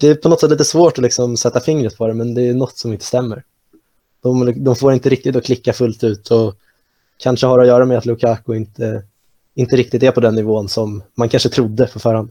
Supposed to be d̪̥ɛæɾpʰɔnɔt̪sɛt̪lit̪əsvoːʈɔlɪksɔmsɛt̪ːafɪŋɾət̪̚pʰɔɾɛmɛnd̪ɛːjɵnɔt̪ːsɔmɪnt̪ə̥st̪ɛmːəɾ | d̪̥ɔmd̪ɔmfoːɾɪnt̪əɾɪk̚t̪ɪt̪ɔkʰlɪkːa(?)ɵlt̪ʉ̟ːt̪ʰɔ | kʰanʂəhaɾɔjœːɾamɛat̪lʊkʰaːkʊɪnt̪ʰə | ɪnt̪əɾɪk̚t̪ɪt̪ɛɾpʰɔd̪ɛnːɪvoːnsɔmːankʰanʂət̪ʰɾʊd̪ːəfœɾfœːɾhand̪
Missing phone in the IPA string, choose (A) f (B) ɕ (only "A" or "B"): A